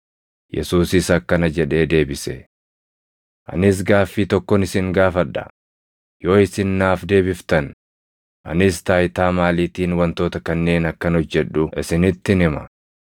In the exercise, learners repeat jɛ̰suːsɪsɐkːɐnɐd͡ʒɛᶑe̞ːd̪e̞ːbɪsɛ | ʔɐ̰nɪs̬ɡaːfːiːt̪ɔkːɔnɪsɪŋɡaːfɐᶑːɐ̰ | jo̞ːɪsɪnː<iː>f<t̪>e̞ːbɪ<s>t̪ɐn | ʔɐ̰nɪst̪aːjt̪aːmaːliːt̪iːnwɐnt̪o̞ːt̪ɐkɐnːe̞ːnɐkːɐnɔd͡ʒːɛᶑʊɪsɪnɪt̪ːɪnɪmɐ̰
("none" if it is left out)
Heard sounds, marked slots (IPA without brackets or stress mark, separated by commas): aː, d̪, f